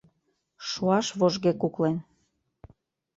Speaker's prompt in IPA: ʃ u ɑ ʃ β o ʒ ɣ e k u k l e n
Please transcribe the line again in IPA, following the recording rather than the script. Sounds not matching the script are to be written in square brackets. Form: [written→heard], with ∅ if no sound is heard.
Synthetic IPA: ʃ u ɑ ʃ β o ʒ ɣ e k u k l e n

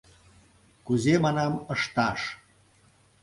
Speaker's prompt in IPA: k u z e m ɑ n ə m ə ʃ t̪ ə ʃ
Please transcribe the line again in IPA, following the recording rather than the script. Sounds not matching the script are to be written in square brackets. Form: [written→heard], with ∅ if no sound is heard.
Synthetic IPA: k u z e m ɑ n [ə→ɑ] m ə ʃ t̪ [ə→ɑ] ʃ

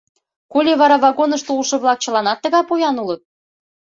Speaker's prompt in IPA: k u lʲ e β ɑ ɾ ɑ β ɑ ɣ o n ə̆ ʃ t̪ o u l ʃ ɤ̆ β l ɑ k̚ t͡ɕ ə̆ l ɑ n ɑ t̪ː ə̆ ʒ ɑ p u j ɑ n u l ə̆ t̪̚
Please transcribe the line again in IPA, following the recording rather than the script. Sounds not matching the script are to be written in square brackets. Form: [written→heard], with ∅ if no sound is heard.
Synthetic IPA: k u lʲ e β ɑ ɾ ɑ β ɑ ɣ o n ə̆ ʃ t̪ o u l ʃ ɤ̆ β l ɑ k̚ t͡ɕ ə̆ l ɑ n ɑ t̪ː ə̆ [ʒ→ɣ] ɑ p u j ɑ n u l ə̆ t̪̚

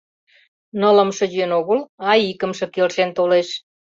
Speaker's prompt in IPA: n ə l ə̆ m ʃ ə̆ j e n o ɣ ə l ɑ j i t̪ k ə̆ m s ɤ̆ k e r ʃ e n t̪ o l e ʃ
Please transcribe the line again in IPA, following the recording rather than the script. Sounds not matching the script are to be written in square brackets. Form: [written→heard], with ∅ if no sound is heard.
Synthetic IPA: n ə l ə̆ m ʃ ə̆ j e n o ɣ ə l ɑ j i [t̪→∅] k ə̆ m [s→ʃ] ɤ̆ k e [r→l] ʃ e n t̪ o l e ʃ

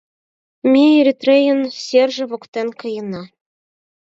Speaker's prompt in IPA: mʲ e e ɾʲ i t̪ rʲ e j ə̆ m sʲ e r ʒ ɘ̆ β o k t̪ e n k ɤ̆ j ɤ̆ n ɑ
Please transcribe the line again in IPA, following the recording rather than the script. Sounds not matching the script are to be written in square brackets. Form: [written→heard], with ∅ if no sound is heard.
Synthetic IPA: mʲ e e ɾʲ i t̪ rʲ e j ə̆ [m→n] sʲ e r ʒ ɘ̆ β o k t̪ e n k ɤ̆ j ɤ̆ n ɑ

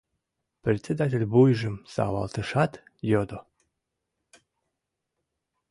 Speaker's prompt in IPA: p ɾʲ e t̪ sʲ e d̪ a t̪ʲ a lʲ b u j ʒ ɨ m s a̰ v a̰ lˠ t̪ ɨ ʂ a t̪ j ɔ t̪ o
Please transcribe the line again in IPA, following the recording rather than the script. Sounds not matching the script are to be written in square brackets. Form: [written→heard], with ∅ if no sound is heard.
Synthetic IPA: p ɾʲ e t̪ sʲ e d̪ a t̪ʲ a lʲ b u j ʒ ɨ m s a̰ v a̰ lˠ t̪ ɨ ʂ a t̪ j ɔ [t̪→d̪] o

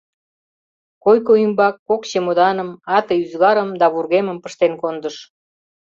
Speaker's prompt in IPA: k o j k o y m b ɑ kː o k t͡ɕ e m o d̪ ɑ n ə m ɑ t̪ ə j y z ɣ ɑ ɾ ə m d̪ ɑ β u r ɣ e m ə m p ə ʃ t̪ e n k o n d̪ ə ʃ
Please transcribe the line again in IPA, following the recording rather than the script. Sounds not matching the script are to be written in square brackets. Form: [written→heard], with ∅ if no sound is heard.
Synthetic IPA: k o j k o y m b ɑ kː o k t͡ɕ e m o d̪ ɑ n ə m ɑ t̪ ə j y z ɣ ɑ ɾ ə m d̪ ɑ β u r ɣ e m ə m p ə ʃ t̪ e n k o n d̪ ə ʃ

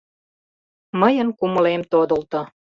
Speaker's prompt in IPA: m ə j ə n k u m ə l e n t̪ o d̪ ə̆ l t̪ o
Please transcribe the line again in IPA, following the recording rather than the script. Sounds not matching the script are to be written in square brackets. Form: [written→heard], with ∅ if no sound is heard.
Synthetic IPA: m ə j ə n k u m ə l e [n→m] t̪ o d̪ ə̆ l t̪ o

